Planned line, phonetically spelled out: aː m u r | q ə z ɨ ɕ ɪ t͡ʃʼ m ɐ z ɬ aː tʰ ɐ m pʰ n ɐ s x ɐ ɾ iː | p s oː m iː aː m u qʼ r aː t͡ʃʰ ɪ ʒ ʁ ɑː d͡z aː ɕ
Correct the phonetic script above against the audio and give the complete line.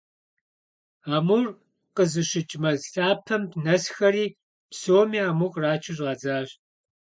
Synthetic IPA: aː m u r | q ə z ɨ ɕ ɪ t͡ʃʼ m ɐ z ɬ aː pʰ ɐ m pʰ n ɐ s x ɐ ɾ iː | p s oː m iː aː m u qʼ r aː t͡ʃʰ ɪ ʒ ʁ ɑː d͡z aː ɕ